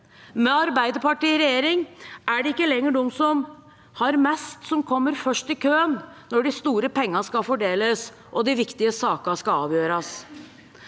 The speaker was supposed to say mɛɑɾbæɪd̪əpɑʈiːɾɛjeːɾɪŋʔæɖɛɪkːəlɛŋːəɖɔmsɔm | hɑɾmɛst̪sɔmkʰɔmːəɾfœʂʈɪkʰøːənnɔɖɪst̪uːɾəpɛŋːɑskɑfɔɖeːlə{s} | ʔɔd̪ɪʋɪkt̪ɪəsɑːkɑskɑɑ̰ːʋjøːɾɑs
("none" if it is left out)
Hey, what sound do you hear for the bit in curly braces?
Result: s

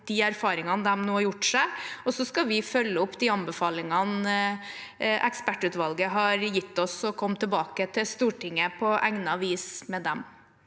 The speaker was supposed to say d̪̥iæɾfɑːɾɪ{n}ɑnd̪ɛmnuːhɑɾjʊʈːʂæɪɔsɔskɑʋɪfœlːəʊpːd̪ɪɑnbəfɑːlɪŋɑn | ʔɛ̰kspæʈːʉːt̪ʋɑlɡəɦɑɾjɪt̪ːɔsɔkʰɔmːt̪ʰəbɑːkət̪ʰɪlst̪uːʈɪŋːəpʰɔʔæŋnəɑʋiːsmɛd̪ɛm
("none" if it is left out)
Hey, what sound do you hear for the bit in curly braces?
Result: ŋ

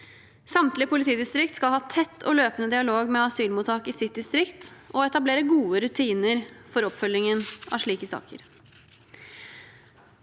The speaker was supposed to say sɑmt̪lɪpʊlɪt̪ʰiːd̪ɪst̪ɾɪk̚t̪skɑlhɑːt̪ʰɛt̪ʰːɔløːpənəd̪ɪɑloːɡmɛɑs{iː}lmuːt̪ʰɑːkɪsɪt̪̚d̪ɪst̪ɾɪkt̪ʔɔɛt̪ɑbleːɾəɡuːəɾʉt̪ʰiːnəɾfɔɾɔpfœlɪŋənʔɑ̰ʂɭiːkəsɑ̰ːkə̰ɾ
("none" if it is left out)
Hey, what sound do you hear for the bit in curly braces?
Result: yː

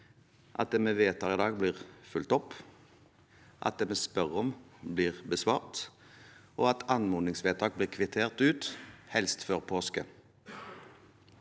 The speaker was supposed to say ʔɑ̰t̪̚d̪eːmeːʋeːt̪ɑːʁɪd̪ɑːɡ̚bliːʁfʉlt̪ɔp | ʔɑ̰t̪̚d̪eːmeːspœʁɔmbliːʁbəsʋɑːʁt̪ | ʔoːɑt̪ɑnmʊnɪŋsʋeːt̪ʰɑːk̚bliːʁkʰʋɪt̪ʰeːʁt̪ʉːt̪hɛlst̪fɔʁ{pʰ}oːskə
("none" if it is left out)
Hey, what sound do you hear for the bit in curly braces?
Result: pʰ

